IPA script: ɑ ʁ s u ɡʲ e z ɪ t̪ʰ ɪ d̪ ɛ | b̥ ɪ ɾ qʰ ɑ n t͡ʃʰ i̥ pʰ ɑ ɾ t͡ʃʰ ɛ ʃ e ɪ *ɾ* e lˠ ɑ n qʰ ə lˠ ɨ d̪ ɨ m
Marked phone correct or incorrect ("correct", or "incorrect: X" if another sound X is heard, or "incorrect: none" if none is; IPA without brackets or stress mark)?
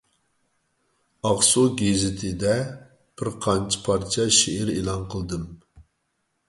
correct